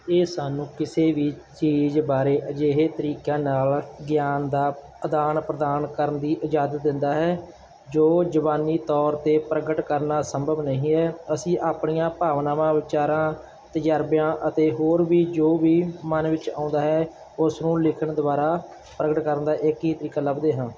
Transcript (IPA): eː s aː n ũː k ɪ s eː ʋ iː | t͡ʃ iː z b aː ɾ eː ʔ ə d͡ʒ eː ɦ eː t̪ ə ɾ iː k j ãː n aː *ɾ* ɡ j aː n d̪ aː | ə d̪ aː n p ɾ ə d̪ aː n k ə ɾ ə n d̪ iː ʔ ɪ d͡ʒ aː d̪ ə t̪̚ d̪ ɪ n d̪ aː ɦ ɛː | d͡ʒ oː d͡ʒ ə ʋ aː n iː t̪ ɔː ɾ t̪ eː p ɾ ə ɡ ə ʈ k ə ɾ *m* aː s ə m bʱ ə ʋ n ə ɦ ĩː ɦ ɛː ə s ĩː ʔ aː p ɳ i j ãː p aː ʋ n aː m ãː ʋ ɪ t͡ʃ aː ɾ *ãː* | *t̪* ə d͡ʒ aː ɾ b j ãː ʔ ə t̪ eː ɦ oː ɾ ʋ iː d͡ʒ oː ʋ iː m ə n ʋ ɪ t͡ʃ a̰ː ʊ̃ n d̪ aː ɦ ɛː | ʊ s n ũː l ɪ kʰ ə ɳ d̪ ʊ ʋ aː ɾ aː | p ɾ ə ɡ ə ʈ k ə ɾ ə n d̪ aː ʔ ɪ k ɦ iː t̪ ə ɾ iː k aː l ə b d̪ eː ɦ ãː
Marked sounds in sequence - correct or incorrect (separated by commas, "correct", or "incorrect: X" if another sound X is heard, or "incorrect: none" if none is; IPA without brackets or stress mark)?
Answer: incorrect: l, incorrect: n, correct, correct